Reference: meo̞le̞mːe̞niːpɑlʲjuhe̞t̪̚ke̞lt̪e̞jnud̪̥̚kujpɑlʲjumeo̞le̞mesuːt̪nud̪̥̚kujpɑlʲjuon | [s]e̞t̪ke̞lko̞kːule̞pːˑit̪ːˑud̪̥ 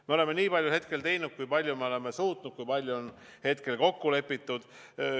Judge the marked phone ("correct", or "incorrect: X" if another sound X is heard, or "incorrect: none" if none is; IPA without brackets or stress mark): incorrect: h